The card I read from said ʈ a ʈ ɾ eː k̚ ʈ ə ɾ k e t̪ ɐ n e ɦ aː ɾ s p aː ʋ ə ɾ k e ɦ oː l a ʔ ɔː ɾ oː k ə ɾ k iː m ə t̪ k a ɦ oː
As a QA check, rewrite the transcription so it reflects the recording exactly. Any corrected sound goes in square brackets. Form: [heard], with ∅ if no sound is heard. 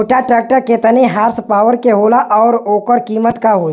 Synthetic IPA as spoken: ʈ a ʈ ɾ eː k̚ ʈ ə ɾ k e t̪ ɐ n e ɦ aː ɾ s p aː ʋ ə ɾ k e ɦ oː l a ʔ ɔː ɾ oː k ə ɾ k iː m ə t̪ k a ɦ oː